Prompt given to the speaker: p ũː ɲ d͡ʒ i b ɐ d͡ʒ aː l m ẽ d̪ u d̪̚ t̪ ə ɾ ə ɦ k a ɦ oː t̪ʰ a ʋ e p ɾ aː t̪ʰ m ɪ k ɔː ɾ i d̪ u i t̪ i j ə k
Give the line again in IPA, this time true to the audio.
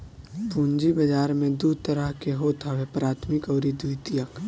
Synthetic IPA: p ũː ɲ d͡ʒ i b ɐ d͡ʒ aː ɾ m ẽ d̪ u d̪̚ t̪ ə ɾ ə ɦ k e ɦ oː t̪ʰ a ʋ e p ɾ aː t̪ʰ m ɪ k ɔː ɾ i d̪ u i t̪ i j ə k